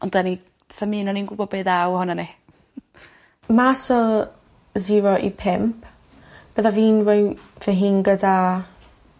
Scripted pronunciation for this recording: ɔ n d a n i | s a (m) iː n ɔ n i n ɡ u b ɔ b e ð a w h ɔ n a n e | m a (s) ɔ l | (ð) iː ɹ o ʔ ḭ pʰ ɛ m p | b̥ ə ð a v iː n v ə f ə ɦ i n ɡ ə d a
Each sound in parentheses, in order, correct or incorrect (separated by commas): correct, correct, incorrect